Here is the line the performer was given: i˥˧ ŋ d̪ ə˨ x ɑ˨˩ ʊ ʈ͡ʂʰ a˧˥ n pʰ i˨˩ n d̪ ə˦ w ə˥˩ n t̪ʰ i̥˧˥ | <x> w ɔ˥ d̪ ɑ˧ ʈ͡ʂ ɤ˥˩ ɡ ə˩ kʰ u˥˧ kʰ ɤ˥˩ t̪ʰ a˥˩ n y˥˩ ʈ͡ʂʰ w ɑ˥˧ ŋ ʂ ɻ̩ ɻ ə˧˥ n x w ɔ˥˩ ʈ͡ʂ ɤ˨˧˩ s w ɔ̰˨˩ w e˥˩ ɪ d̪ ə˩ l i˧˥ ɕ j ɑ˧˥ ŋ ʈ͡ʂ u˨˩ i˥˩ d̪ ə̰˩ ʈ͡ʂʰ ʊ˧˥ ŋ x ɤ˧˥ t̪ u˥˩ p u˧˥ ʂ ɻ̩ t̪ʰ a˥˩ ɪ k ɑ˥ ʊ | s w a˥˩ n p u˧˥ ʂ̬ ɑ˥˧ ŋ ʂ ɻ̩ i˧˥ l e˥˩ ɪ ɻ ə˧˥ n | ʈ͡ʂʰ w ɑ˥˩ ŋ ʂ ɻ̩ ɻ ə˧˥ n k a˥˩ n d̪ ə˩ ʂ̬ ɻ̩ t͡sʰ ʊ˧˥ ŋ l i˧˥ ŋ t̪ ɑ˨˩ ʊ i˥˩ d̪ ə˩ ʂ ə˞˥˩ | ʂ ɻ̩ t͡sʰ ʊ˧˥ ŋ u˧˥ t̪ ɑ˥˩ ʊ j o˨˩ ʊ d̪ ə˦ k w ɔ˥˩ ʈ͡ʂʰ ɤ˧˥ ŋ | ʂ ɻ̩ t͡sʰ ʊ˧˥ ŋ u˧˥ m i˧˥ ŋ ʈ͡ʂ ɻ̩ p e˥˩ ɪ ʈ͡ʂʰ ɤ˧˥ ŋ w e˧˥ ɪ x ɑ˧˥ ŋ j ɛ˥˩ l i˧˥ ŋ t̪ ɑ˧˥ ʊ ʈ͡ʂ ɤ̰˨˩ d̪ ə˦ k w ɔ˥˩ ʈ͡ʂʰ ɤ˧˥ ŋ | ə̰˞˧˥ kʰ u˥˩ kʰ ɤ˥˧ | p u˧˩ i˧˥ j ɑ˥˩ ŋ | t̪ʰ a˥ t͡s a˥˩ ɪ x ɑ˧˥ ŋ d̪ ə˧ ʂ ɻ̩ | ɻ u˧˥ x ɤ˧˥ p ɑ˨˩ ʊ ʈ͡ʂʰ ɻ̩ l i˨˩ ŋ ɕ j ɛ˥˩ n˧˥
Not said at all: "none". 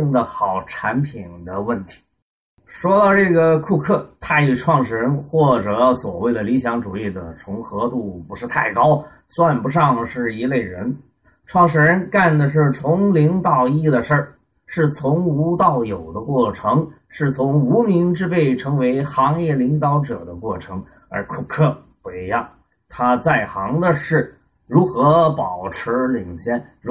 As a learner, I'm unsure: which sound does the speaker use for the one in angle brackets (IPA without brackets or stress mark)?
ʂ